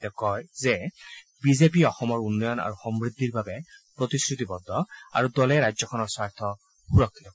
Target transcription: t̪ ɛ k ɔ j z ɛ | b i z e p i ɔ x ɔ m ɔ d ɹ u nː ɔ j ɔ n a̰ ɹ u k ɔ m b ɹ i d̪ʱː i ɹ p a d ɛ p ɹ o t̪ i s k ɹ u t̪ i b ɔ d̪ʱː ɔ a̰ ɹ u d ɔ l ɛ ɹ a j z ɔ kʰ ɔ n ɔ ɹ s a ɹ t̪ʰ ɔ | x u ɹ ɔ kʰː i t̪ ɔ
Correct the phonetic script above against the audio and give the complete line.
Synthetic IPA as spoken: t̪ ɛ k ɔ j z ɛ | b i z e p i ɔ x ɔ m ɔ ɹ u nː ɔ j ɔ n a̰ ɹ u x ɔ m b ɹ i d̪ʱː i ɹ b a b ɛ p ɹ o t̪ i s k ɹ u t̪ i b ɔ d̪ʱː ɔ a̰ ɹ u d ɔ l ɛ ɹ a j z ɔ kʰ ɔ n ɔ ɹ s a ɹ t̪ʰ ɔ | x u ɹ ɔ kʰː i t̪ ɔ